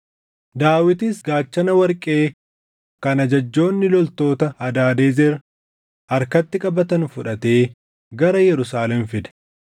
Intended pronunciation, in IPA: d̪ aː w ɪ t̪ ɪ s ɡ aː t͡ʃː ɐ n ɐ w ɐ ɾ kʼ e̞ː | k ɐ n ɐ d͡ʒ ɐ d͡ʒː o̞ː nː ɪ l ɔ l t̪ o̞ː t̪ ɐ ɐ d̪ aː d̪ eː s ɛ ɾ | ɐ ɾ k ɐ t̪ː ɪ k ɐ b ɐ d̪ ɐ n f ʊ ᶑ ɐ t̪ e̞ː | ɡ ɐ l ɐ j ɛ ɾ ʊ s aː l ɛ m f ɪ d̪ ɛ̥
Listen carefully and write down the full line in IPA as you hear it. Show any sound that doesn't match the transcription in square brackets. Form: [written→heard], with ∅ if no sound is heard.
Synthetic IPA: d̪ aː w ɪ t̪ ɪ s ɡ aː t͡ʃː ɐ n ɐ w ɐ ɾ kʼ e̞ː | k ɐ n ɐ d͡ʒ ɐ d͡ʒː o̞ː nː ɪ l ɔ l t̪ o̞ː t̪ ɐ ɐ d̪ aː d̪ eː [s→z] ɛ ɾ | ɐ ɾ k ɐ t̪ː ɪ [k→kʼ] ɐ b ɐ [d̪→t̪] ɐ n f ʊ ᶑ ɐ t̪ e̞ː | ɡ ɐ [l→ɾ] ɐ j ɛ ɾ ʊ s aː l ɛ m f ɪ d̪ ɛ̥

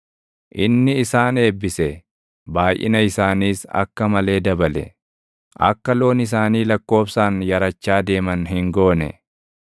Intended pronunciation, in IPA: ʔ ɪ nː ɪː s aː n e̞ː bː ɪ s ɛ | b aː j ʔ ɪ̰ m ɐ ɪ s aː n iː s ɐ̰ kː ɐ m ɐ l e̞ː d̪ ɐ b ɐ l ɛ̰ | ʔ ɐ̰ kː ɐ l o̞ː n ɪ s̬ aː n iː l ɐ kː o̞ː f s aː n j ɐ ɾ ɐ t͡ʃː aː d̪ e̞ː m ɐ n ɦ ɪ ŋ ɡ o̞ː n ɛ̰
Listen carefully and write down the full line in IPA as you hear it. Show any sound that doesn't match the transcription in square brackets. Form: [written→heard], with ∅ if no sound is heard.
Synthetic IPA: ʔ ɪ nː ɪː s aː n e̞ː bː ɪ s ɛ | b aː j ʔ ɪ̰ [m→n] ɐ ɪ s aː n iː s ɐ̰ kː ɐ m ɐ l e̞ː d̪ ɐ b ɐ l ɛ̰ | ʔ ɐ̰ kː ɐ l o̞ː n ɪ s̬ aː n iː l ɐ kː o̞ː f s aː n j ɐ ɾ ɐ t͡ʃː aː d̪ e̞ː m ɐ n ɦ ɪ ŋ ɡ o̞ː n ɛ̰

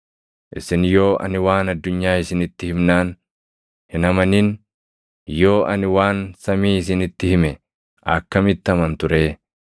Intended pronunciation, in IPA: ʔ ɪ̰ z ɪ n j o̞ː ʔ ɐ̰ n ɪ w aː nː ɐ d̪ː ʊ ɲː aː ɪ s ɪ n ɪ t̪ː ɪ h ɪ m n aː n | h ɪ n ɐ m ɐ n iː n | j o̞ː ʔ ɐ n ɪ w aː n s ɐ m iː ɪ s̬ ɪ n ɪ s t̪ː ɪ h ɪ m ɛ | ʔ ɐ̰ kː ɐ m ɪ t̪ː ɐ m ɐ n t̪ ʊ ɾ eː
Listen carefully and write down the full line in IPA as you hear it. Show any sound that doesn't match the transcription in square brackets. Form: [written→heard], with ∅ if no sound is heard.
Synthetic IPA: ʔ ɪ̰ [z→s] ɪ n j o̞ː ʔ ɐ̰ n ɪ w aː [nː→n] ɐ d̪ː ʊ ɲː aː ɪ s ɪ n ɪ t̪ː ɪ h ɪ m n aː n | h ɪ n ɐ m ɐ n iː n | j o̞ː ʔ ɐ n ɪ w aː n s ɐ m iː ɪ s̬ ɪ n ɪ [s→∅] t̪ː ɪ h ɪ m ɛ | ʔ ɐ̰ kː ɐ m ɪ t̪ː ɐ m ɐ n t̪ ʊ ɾ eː

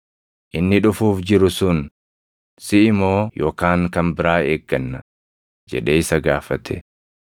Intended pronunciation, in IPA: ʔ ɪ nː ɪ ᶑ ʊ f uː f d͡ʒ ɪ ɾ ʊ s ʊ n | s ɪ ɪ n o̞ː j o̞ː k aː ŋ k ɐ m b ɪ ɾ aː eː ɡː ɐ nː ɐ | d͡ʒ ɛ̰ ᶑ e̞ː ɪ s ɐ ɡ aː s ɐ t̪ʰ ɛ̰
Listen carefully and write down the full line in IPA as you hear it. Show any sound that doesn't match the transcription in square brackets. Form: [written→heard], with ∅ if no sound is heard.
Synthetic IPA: ʔ ɪ nː ɪ ᶑ ʊ f uː f d͡ʒ ɪ ɾ ʊ s ʊ n | s ɪ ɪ [n→m] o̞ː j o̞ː k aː ŋ k ɐ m b ɪ ɾ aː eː ɡː ɐ nː ɐ | d͡ʒ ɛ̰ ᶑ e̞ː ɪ s ɐ ɡ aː [s→f] ɐ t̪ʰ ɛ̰

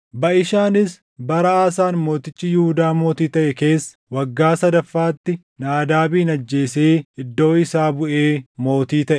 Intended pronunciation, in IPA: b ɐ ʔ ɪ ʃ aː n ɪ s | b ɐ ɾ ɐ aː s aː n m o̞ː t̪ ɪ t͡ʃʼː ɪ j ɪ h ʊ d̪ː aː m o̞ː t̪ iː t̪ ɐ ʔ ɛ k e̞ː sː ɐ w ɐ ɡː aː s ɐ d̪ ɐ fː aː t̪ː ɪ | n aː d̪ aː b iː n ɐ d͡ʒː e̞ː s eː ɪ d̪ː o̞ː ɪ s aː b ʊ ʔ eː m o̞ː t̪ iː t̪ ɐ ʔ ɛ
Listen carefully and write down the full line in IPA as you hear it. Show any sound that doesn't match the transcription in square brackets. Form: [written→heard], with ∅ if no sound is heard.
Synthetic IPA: b ɐ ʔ ɪ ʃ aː n ɪ s | b ɐ ɾ ɐ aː s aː n m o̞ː t̪ ɪ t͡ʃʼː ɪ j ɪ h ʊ [d̪ː→d̪] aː m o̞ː t̪ iː t̪ ɐ ʔ ɛ k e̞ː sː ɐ w ɐ ɡː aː s ɐ d̪ ɐ fː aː t̪ː ɪ | n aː d̪ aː b iː n ɐ d͡ʒː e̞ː s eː ɪ d̪ː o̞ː ɪ s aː b ʊ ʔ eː m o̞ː t̪ iː t̪ ɐ ʔ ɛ

